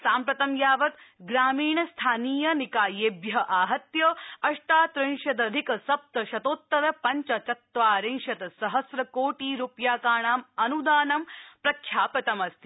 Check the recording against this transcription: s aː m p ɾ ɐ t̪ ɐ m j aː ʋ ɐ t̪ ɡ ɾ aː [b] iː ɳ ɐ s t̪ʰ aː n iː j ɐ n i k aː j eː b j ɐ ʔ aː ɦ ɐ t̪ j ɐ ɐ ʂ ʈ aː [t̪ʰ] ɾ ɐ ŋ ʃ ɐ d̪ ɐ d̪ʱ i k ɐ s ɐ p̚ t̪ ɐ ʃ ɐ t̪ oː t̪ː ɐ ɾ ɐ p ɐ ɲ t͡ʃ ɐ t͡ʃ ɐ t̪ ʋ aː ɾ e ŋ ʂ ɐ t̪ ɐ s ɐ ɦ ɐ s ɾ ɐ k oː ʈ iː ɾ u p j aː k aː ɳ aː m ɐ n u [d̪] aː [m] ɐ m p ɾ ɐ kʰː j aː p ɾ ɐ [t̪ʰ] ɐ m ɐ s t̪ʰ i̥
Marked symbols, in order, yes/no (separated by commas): no, no, yes, no, no